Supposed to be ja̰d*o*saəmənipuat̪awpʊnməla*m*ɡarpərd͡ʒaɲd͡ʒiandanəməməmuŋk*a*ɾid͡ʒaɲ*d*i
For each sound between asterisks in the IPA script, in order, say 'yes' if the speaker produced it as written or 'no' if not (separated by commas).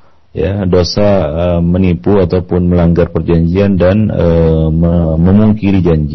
yes, no, no, no